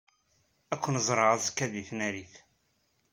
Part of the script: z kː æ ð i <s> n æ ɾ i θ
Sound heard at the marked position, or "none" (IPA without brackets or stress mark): θ